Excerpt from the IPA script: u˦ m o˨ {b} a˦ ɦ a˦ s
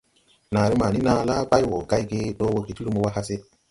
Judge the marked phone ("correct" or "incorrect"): incorrect